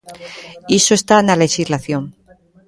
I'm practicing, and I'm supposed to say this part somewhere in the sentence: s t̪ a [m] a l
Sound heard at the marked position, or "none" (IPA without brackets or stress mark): n